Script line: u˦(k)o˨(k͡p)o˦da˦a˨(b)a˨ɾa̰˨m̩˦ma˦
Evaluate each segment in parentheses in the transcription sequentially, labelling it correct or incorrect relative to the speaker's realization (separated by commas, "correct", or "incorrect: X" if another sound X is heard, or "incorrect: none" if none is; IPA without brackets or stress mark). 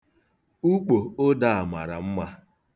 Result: incorrect: k͡p, incorrect: none, incorrect: m